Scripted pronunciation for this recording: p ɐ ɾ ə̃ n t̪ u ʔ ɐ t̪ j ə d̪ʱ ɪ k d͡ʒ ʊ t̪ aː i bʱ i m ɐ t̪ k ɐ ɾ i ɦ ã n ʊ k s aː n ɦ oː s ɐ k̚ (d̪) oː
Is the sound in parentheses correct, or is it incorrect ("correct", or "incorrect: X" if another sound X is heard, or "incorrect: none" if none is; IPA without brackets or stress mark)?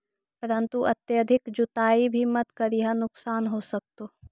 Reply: incorrect: t̪